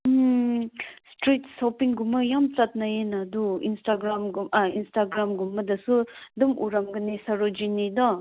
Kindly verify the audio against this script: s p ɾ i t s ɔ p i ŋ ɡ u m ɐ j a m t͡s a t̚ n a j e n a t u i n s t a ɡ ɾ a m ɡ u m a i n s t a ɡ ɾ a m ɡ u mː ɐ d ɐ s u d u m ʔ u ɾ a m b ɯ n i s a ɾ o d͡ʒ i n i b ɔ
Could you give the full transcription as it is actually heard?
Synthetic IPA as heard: s t ɾ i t s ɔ p i ŋ ɡ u m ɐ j a m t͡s a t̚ n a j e n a d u i n s t a ɡ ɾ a m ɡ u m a i n s t a ɡ ɾ a m ɡ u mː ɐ d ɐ s u d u m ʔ u ɾ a m ɡ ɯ n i s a ɾ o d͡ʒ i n i d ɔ